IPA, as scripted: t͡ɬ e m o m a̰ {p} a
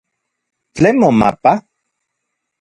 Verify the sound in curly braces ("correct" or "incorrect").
correct